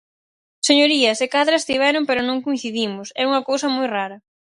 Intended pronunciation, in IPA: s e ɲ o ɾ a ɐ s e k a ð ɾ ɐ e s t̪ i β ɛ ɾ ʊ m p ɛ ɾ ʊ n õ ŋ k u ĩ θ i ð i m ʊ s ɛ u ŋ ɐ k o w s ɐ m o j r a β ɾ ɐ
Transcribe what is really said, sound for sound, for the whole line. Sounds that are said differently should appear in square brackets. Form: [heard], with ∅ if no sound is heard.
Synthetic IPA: s e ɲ o ɾ [i] ɐ s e k a ð ɾ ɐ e s t̪ i β ɛ ɾ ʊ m p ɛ ɾ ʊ n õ ŋ k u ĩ θ i ð i m ʊ s ɛ u ŋ ɐ k o w s ɐ m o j r a [∅] ɾ ɐ